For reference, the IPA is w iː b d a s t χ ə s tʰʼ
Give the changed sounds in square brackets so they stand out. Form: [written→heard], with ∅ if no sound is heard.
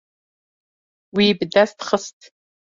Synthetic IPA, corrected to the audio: w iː b d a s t χ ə s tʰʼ